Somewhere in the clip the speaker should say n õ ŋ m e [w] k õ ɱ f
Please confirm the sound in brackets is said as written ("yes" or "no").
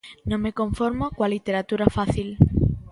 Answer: no